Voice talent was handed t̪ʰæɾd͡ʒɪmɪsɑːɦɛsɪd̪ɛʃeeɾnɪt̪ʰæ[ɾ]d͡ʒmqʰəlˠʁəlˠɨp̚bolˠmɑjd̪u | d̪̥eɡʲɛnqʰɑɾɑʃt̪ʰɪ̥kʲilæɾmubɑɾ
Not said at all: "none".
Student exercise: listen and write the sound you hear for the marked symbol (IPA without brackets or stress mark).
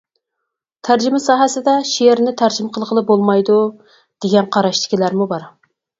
ɾ